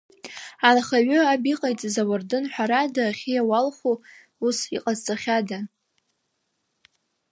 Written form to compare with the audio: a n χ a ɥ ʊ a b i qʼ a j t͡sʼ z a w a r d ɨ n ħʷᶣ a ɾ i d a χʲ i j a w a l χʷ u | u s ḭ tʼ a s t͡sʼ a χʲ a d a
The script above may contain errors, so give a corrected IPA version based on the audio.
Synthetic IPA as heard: a n χ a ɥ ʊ a b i qʼ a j t͡sʼ z a w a r d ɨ n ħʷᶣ a ɾ a d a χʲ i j a w a l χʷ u | u s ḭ qʼ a z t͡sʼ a χʲ a d a